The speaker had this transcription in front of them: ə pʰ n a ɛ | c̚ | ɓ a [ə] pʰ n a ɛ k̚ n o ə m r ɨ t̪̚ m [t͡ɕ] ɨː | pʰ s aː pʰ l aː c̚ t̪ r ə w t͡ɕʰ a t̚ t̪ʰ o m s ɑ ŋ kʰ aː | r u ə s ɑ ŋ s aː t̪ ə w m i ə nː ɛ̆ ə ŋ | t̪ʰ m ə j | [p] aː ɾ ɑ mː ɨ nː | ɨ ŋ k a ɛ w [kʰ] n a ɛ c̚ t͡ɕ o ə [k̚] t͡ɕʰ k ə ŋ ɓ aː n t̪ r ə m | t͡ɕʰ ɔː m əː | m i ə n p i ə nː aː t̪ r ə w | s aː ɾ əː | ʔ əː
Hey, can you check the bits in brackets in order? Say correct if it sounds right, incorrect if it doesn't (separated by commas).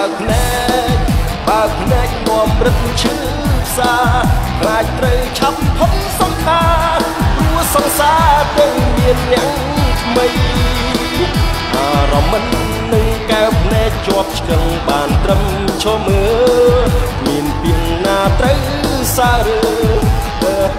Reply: correct, incorrect, incorrect, incorrect, incorrect